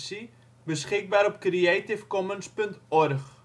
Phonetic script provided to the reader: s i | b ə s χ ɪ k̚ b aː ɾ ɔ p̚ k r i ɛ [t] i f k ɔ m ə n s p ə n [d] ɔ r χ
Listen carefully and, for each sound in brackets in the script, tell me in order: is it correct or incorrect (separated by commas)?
correct, incorrect